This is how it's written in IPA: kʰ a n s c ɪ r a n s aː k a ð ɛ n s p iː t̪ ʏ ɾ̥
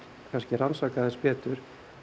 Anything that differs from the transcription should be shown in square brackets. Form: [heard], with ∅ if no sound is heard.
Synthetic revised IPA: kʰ a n s c ɪ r a n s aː k a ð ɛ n s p [ɛː] t̪ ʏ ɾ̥